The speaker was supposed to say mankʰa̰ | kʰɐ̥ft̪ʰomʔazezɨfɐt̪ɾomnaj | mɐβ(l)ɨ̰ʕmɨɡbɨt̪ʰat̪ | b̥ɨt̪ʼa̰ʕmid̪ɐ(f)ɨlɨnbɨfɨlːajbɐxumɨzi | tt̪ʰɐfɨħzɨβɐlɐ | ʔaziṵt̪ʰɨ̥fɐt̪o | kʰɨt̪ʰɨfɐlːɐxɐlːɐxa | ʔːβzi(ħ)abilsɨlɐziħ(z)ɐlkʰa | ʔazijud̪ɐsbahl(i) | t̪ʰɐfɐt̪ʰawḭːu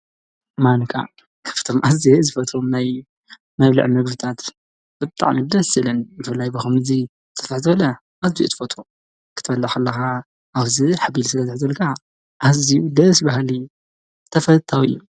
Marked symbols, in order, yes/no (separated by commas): yes, no, yes, yes, yes